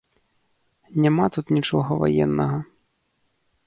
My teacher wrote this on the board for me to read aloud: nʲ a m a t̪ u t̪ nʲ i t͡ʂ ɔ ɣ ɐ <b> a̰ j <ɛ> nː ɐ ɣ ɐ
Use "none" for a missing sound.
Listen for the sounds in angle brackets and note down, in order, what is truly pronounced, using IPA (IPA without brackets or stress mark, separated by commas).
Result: v, ɛ